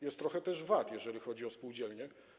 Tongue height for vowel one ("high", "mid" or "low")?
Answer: mid